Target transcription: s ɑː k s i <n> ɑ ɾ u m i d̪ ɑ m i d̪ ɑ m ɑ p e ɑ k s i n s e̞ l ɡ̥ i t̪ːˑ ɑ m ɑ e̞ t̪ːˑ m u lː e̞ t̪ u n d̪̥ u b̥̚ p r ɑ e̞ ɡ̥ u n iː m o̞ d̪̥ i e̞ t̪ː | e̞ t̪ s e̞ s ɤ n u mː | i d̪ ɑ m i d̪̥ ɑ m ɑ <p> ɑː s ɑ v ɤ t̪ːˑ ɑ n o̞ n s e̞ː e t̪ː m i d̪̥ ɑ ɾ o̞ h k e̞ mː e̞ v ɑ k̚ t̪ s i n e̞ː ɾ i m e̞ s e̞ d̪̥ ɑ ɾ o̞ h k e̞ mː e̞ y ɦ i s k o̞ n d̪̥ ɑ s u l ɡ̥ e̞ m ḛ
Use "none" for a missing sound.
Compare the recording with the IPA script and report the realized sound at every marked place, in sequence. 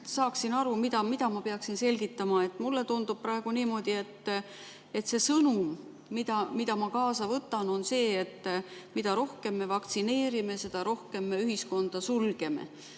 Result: n, k

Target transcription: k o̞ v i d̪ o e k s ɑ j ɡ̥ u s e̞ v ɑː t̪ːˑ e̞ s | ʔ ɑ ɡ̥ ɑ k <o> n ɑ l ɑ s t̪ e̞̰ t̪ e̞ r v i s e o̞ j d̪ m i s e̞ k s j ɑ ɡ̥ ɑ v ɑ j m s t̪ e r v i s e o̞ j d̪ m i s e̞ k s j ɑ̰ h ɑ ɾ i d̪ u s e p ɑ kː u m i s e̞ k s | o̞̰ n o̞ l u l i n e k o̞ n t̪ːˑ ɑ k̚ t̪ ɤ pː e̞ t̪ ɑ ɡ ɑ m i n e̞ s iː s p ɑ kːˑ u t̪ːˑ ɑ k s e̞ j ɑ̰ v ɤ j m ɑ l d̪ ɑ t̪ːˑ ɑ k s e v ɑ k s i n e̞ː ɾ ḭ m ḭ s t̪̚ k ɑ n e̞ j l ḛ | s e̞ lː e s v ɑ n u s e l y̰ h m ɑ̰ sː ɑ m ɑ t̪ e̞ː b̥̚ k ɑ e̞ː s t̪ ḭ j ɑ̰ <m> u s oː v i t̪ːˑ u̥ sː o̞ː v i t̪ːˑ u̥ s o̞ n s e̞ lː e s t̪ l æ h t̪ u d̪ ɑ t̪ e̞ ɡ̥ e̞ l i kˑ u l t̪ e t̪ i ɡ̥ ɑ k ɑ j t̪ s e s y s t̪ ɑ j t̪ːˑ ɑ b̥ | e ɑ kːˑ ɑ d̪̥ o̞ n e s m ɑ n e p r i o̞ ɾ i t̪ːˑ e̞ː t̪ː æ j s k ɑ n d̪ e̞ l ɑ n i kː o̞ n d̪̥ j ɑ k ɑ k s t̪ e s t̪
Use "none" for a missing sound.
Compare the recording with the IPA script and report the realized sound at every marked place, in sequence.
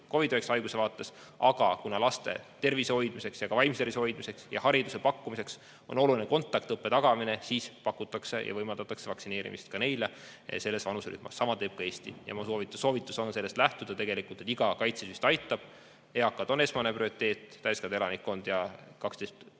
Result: u, m

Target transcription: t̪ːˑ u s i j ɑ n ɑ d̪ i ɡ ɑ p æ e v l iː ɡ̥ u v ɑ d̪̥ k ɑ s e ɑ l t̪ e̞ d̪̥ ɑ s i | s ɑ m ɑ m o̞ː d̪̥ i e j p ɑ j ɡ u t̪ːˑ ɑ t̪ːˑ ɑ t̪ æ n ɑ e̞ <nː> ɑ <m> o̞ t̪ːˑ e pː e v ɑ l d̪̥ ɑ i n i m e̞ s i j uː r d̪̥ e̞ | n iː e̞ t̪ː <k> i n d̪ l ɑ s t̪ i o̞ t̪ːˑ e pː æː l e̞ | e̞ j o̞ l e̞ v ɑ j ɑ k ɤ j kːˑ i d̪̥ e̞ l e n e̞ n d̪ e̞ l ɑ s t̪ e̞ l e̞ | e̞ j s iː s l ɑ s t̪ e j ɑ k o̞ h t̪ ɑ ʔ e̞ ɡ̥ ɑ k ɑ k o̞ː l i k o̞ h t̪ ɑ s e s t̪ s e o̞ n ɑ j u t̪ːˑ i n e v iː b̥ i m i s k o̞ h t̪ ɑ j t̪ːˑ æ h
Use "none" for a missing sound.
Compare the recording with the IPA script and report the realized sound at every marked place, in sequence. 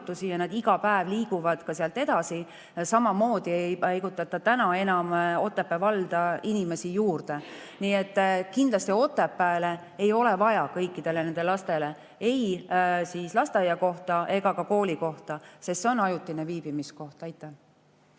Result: n, m, k

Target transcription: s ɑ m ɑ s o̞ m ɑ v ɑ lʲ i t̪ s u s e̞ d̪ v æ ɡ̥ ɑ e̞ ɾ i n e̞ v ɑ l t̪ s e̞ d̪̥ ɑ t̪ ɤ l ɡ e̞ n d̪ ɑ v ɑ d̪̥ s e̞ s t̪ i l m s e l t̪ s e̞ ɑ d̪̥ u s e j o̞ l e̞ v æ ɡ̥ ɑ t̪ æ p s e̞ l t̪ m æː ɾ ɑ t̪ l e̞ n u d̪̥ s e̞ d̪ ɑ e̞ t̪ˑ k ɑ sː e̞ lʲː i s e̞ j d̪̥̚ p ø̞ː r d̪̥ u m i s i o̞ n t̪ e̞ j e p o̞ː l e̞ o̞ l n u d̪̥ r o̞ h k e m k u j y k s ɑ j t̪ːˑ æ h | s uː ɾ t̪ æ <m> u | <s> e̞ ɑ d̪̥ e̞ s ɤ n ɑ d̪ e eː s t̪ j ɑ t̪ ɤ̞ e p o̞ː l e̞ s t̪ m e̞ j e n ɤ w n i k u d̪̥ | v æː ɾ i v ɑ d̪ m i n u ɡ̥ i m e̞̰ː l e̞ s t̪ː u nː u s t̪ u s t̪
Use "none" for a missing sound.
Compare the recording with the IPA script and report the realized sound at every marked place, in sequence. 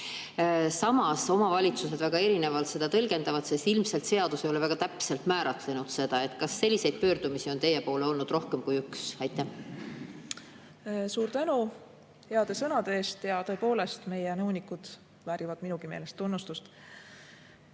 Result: n, h

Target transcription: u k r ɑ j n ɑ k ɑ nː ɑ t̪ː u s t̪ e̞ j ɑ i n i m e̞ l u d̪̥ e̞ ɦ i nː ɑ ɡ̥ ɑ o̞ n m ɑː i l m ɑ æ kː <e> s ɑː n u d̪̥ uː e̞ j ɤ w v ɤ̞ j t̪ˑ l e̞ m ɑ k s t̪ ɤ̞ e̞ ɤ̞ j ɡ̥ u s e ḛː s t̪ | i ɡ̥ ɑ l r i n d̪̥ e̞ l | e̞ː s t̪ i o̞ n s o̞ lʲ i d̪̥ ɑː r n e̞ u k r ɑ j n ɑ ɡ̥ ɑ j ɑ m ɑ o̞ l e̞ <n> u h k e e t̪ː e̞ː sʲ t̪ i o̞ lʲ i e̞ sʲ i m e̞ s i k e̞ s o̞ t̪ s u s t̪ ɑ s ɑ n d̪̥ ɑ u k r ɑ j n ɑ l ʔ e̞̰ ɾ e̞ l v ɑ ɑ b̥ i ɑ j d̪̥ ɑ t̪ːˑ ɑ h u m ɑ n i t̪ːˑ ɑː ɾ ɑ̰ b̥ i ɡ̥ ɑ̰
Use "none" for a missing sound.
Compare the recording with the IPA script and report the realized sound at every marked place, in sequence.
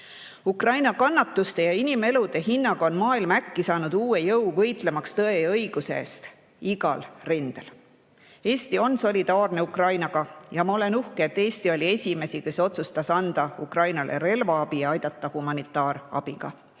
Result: i, n

